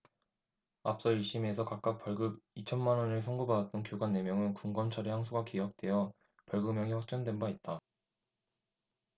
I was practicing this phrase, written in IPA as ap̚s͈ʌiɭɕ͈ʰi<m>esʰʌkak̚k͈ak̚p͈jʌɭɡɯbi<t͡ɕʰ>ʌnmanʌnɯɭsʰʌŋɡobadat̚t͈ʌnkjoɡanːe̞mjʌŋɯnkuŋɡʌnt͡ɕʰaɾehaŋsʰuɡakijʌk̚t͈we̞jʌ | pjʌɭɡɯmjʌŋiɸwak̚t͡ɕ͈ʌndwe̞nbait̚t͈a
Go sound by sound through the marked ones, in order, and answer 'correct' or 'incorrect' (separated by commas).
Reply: correct, correct